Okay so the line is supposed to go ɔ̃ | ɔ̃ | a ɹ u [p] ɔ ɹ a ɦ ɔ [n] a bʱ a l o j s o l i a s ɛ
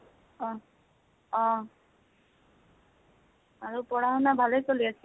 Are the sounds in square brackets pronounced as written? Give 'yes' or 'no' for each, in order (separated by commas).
yes, yes